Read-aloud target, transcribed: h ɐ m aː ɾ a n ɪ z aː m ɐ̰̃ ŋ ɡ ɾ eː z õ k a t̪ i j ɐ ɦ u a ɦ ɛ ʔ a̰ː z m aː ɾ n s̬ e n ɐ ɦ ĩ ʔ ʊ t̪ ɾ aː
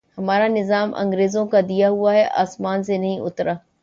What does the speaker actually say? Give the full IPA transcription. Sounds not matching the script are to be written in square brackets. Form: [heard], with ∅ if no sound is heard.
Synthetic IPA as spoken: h ɐ m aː ɾ a n ɪ z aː m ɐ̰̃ ŋ ɡ ɾ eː z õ k a [d̪] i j [a] ɦ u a ɦ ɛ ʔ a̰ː [s] m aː [∅] n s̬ e n ɐ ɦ ĩ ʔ ʊ t̪ ɾ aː